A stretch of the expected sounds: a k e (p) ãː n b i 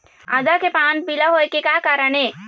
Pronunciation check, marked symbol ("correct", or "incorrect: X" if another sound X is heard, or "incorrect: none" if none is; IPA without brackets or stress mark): correct